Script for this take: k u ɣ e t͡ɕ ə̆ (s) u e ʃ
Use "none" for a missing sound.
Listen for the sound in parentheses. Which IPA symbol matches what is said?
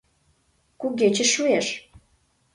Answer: ʃ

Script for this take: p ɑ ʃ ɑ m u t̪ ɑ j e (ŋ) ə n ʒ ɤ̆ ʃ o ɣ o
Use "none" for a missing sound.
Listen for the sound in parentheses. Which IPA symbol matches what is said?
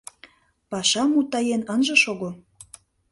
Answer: n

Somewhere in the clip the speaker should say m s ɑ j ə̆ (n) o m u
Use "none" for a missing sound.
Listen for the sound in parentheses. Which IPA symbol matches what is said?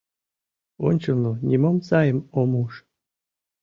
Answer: m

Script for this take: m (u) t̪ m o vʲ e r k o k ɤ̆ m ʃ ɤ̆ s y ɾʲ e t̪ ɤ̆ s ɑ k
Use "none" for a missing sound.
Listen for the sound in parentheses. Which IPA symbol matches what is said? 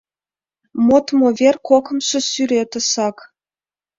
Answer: o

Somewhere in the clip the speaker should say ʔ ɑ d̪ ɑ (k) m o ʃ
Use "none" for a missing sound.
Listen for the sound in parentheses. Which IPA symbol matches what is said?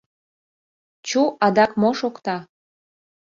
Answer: k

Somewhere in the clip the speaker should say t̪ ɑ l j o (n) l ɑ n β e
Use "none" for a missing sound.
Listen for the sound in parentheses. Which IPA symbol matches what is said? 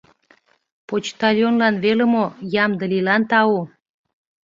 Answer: n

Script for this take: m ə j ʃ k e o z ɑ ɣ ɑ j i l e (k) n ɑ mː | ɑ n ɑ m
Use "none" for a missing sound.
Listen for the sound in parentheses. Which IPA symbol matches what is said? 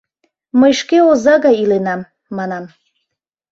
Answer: none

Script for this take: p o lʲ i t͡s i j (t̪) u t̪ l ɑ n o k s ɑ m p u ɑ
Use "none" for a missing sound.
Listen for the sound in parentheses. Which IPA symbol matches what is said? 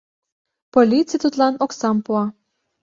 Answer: t̪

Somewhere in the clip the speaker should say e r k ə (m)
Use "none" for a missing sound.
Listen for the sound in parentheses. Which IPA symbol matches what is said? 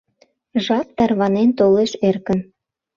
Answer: n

